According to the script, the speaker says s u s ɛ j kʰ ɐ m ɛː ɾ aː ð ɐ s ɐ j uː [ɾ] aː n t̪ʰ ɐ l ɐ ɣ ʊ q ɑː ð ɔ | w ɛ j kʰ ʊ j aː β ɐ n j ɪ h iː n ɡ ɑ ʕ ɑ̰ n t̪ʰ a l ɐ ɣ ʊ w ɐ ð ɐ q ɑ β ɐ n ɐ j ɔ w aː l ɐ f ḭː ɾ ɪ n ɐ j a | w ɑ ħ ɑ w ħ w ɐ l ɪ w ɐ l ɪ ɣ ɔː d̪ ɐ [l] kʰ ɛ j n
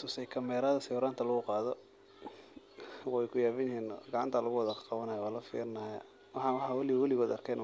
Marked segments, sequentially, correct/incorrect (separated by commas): correct, incorrect